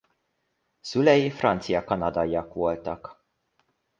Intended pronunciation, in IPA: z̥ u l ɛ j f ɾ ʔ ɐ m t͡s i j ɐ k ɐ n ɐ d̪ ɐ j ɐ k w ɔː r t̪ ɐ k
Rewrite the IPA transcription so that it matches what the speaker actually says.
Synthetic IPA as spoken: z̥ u l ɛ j f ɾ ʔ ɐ n t͡s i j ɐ k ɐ n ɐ d̪ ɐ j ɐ k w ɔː l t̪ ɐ k